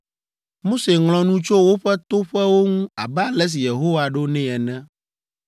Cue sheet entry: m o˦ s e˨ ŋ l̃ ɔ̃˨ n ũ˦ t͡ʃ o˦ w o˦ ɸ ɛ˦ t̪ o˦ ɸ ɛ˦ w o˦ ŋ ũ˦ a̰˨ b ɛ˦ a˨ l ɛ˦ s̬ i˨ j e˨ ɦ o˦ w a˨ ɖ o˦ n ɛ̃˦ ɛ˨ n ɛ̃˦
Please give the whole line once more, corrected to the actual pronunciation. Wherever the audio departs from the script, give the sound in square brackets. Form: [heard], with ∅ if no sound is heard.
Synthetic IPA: m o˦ s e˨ ŋ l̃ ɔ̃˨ n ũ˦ t͡ʃ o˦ w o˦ ɸ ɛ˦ t̪ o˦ ɸ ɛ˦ w o˦ ŋ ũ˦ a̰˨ b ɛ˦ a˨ l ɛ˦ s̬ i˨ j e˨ ɦ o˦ w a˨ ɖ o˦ n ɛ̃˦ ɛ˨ n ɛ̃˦